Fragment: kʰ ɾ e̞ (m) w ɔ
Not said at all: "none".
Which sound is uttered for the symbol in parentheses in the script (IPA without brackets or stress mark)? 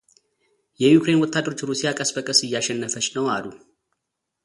n